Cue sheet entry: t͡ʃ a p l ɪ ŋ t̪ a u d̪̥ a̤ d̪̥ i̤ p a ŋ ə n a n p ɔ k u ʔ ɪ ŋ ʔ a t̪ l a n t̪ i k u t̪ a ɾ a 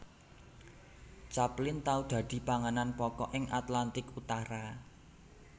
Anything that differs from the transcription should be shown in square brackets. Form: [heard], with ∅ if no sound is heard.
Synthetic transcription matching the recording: t͡ʃ a p l ɪ [n] t̪ a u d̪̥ a̤ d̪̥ i̤ p a ŋ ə n a n p ɔ k [ɔ] ʔ ɪ ŋ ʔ a t̪ l a n t̪ [ɪ] k u t̪ a ɾ a